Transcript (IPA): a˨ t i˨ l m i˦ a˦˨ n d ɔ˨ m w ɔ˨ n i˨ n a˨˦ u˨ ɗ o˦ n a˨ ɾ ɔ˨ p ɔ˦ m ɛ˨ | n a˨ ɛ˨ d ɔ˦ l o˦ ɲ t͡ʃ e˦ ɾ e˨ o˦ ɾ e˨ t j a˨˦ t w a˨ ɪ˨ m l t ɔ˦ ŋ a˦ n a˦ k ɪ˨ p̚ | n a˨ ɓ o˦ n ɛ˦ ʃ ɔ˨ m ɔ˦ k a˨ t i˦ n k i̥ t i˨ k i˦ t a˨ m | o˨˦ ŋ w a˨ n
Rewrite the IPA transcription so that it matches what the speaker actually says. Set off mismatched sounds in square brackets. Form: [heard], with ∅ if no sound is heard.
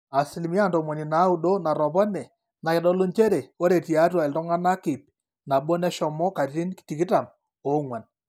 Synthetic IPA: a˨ [s] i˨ l m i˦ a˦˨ n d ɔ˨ m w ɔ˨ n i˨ n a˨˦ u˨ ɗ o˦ n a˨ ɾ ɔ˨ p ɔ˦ [n] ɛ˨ | n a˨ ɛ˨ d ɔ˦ l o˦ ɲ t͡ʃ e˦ ɾ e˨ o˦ ɾ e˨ t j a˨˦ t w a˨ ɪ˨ [∅] l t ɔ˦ ŋ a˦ n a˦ k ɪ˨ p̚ | n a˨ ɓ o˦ n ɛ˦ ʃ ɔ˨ m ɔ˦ k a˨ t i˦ n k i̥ t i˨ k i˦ t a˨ m | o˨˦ ŋ w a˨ n

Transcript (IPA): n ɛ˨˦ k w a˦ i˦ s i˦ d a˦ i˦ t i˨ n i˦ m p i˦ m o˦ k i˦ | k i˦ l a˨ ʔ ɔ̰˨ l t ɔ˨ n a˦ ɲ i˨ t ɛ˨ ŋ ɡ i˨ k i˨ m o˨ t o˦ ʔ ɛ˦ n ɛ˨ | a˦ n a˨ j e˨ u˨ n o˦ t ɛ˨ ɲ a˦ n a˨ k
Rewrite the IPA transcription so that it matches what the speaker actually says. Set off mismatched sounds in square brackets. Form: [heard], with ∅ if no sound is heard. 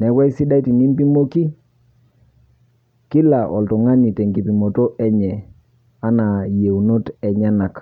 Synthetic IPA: n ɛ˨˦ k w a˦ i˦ s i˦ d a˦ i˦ t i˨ n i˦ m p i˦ m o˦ k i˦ | k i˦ l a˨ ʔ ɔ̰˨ l t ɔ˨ [ŋ] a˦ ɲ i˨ t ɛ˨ ŋ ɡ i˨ [p] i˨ m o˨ t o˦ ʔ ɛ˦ [ɲ] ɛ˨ | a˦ n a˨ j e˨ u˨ n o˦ t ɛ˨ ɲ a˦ n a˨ k

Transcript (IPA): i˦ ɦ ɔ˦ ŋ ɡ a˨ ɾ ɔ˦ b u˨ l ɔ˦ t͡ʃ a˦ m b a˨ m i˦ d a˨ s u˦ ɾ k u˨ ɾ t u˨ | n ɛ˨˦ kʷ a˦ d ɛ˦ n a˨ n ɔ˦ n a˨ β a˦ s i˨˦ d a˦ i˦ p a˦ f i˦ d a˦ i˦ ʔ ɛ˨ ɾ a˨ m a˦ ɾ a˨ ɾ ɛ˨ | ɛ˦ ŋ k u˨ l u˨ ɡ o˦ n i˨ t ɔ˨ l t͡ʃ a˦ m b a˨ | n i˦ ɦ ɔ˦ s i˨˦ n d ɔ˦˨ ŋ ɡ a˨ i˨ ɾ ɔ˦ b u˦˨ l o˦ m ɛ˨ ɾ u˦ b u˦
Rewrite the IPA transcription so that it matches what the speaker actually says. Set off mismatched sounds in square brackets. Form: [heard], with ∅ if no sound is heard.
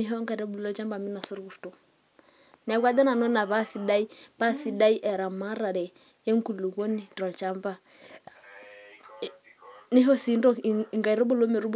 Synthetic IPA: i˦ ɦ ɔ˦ ŋ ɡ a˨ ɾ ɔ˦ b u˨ l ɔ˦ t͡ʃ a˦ m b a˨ m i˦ [n] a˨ s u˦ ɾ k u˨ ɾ t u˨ | n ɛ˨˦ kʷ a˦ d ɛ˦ n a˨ n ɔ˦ n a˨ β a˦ s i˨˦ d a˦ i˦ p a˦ [s] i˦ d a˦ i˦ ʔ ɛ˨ ɾ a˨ m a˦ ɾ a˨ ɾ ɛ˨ | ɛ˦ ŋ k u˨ l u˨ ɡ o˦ n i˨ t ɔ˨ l t͡ʃ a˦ m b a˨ | n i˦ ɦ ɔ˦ s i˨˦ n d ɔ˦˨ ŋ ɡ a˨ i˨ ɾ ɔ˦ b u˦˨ l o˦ m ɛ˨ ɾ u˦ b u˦

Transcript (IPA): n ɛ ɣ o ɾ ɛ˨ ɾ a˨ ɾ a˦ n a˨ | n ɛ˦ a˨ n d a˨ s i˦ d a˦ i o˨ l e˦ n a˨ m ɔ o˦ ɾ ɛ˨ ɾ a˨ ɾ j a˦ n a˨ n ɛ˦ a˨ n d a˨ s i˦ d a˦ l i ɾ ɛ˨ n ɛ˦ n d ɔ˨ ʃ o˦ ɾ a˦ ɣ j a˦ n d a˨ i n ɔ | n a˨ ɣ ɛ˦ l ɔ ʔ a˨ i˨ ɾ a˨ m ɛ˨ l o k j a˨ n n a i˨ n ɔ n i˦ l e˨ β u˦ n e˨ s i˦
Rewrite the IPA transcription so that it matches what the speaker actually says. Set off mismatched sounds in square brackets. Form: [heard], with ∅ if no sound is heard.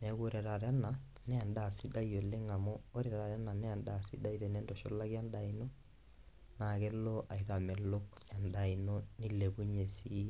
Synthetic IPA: n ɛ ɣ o ɾ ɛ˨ ɾ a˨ ɾ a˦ n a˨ | n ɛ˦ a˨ n d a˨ s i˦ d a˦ i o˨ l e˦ [ŋ] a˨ m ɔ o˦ ɾ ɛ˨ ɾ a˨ ɾ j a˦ n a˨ n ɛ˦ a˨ n d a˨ s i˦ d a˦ [∅] i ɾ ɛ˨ n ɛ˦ n d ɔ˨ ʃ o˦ [l] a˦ ɣ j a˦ n d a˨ i n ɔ | n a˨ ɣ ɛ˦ l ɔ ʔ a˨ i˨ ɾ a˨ m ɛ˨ l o k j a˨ n [d] a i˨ n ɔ n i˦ l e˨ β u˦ [ɲ] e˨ s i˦

